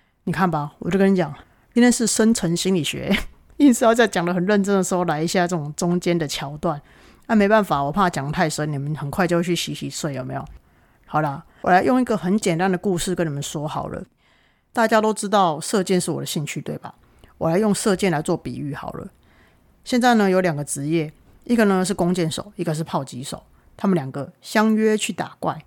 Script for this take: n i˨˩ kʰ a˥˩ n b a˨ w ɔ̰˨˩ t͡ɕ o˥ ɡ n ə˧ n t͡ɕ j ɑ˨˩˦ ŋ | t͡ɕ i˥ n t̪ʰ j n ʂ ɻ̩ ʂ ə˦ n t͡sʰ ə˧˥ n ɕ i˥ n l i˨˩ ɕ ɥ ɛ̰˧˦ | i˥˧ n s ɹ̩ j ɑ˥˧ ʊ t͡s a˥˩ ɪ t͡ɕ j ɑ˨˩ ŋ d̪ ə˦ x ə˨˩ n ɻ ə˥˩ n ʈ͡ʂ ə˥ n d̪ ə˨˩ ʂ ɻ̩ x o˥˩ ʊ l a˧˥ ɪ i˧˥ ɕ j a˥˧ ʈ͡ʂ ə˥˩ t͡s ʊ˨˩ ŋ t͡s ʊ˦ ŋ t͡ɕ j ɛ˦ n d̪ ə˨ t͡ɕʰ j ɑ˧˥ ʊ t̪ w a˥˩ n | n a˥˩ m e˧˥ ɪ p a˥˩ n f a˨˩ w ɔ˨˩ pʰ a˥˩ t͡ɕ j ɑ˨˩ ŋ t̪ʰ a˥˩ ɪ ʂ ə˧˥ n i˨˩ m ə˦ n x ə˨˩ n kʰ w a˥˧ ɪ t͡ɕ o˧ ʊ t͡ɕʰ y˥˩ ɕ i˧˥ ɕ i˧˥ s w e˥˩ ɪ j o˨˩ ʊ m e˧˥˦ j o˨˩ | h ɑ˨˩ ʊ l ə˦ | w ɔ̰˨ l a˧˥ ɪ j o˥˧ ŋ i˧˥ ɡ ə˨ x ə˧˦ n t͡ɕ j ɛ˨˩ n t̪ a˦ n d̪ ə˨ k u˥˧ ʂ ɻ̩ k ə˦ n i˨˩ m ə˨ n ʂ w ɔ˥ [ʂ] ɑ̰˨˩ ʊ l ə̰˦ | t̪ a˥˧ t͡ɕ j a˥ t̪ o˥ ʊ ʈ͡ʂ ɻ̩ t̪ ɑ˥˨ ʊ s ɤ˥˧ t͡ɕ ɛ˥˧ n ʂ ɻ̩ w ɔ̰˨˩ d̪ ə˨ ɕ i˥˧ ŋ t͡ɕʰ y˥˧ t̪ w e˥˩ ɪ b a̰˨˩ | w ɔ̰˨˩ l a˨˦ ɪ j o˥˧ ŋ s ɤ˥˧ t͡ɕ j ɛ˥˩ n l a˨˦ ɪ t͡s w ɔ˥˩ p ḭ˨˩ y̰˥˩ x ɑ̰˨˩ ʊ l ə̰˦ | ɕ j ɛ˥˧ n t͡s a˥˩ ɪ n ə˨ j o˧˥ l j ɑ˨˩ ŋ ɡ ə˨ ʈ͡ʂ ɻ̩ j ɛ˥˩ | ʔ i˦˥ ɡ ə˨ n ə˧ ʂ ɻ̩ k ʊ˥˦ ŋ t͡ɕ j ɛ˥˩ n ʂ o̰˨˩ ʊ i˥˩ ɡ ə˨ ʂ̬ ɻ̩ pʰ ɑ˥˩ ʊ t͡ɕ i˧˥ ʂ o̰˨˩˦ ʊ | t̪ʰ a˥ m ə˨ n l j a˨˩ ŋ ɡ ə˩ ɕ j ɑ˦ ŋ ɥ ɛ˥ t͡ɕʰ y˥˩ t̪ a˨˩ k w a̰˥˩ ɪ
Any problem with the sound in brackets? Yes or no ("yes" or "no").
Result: yes